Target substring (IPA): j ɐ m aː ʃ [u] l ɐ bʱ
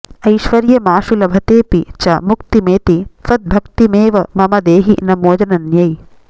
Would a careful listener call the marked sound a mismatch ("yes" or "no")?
no